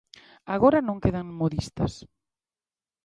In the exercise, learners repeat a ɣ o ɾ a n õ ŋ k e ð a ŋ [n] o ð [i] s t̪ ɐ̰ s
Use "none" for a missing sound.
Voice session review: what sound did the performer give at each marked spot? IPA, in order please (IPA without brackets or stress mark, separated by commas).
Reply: m, i